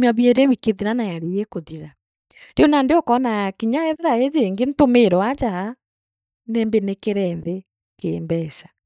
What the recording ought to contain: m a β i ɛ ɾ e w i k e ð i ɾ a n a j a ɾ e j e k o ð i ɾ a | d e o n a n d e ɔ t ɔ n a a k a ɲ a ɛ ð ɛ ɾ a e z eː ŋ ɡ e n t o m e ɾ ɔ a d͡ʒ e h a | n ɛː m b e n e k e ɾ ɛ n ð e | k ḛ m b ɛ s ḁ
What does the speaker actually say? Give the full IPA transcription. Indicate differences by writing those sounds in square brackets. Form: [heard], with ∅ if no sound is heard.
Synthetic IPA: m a β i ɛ ɾ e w i k e ð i ɾ a n a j a ɾ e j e k o ð i ɾ a | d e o n a n d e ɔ [k] ɔ n a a k [i] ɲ a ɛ ð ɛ ɾ a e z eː ŋ ɡ e n t o m e ɾ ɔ a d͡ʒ [a] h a | n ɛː m b e n e k e ɾ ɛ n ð e | k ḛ m b ɛ s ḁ